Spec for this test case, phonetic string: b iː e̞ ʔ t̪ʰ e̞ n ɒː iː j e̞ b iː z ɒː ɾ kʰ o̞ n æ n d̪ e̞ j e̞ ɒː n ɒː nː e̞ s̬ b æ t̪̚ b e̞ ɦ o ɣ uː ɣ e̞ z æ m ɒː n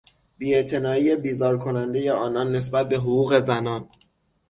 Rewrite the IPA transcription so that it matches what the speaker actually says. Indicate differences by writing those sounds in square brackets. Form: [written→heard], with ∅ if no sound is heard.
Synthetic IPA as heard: b iː e̞ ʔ t̪ʰ e̞ n ɒː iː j e̞ b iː z ɒː ɾ kʰ o̞ n æ n d̪ e̞ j e̞ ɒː n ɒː nː e̞ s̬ b æ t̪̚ b e̞ ɦ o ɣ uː ɣ e̞ z æ [m→n] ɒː n